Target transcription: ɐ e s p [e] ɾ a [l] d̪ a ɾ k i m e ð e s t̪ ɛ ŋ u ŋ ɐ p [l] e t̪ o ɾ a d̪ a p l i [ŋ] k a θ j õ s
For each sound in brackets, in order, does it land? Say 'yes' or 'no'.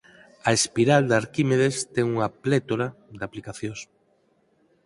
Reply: no, yes, yes, no

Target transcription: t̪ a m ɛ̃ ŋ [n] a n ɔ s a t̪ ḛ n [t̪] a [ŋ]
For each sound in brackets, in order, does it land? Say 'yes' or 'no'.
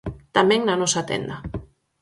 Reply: yes, no, no

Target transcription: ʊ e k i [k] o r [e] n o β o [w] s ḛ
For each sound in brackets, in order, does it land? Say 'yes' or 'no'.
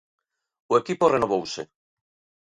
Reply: no, yes, yes

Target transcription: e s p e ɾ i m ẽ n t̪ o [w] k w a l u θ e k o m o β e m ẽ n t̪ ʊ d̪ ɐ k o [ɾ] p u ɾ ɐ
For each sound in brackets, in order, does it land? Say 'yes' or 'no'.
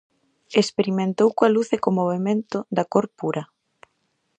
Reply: yes, yes

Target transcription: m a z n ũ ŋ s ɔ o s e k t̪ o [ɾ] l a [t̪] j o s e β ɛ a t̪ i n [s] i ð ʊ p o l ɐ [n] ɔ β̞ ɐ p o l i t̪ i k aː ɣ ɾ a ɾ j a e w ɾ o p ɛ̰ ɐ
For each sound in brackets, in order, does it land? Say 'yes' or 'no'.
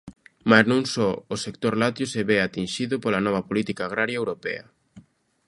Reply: yes, yes, no, yes

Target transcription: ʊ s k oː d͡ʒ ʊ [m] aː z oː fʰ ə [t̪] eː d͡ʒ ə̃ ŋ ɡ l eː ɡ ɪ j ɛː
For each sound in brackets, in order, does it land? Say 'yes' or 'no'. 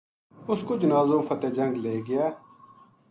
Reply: no, yes

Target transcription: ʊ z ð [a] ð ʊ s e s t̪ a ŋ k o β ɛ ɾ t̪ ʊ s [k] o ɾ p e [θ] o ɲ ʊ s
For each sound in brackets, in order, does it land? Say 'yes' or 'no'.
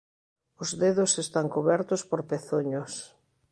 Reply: no, no, yes

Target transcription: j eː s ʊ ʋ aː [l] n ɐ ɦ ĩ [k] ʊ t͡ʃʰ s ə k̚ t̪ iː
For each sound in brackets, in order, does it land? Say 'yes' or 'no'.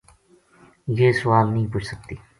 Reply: yes, no

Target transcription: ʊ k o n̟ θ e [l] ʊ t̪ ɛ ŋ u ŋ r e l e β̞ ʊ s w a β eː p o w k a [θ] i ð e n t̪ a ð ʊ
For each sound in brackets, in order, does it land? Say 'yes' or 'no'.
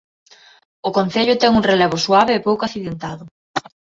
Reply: no, yes

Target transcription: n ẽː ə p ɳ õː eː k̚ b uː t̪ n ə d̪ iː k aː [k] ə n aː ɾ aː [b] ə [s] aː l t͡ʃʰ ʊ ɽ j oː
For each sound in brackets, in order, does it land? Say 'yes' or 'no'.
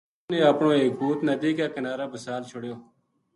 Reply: yes, yes, yes

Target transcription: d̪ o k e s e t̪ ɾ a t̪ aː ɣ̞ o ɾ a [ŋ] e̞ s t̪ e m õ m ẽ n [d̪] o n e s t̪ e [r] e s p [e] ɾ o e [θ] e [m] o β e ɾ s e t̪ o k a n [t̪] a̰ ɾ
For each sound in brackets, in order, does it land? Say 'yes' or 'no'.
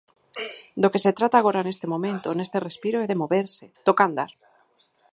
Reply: no, no, yes, no, no, yes, no

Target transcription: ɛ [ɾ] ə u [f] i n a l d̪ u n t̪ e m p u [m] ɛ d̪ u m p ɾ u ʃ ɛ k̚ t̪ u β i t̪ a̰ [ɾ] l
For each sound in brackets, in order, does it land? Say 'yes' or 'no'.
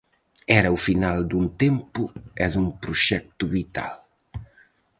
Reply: yes, yes, no, no

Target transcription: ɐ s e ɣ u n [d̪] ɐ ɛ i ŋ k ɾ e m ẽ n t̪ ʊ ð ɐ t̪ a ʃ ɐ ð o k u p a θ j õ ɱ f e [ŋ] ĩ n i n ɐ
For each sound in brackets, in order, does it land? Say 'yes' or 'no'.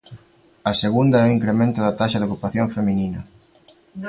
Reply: yes, no

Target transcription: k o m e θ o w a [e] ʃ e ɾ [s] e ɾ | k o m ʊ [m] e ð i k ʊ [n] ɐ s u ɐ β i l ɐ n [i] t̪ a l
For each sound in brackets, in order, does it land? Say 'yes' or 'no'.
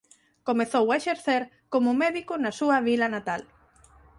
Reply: yes, no, yes, yes, no

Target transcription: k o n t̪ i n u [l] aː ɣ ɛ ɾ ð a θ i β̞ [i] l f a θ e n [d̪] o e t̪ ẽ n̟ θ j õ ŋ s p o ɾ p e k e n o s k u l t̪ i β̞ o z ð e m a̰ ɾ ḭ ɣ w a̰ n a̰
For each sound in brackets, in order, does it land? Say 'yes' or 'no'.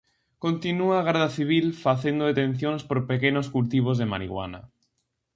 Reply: no, yes, yes

